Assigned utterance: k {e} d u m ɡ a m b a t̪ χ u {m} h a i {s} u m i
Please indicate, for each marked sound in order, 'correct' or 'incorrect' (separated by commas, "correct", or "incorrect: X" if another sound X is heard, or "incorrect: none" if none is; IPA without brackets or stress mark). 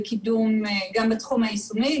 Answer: incorrect: i, correct, correct